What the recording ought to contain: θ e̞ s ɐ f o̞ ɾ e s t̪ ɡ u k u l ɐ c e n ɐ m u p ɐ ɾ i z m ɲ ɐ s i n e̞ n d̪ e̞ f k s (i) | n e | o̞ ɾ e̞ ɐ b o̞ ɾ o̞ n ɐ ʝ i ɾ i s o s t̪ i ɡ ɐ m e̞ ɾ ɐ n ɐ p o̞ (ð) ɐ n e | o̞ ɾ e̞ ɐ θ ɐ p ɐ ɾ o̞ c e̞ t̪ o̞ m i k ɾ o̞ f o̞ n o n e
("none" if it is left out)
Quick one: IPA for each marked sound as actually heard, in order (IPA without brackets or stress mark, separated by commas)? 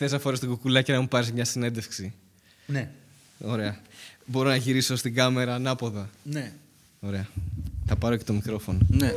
i, ð